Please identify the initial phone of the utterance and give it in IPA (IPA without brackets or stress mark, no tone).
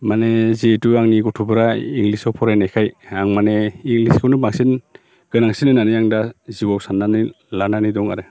m